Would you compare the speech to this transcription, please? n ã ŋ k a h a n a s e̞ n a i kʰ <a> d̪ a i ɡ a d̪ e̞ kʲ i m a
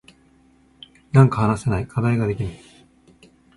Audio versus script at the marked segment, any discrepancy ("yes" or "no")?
no